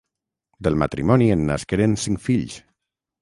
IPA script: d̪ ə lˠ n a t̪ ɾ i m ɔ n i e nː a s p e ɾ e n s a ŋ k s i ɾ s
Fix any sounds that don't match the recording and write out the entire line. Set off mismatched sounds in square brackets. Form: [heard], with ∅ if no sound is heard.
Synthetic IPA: d̪ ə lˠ [m] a t̪ ɾ i m ɔ n i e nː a s [k] e ɾ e n s [i] ŋ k [f] i [ʎ] s